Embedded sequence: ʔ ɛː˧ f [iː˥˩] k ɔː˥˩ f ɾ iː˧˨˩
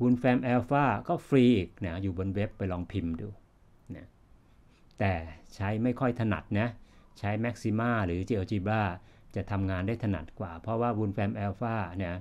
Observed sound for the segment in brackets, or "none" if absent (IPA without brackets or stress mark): aː˥˩